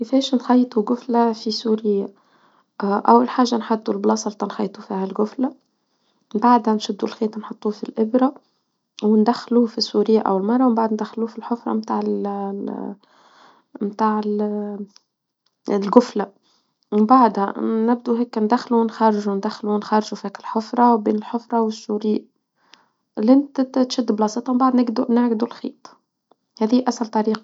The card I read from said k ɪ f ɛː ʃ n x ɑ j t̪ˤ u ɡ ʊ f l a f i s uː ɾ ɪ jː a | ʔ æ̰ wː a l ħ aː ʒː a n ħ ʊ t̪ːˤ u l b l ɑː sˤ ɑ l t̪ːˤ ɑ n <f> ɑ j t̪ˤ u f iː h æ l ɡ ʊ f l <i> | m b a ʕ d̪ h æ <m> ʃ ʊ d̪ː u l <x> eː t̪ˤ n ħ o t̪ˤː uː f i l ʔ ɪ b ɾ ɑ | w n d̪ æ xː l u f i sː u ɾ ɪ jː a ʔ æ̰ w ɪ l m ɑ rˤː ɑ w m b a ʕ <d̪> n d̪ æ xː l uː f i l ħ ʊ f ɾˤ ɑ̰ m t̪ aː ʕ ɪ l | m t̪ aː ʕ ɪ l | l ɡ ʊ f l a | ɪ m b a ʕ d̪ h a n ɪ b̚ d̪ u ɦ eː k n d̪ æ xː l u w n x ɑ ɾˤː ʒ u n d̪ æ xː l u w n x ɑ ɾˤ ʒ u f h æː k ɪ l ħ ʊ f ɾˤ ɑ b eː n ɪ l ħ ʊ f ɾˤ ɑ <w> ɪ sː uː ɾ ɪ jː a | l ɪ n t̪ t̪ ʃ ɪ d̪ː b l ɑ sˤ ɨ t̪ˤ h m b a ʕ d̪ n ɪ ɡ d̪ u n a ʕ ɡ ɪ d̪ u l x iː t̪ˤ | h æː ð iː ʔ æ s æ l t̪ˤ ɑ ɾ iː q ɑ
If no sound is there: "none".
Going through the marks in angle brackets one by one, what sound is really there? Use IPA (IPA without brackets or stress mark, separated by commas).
x, a, n, x, d̪, w